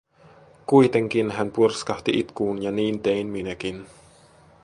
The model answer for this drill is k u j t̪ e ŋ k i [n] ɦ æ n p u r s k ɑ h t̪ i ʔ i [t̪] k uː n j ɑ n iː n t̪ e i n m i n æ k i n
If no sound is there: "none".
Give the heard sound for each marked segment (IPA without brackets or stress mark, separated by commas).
n, t̪